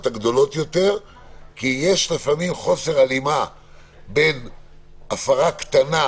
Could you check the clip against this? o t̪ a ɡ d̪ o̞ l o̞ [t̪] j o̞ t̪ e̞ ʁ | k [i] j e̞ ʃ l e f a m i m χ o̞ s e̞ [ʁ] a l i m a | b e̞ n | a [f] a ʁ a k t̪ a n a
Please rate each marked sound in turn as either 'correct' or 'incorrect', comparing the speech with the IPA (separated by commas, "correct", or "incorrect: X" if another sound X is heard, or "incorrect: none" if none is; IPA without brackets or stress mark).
correct, correct, correct, correct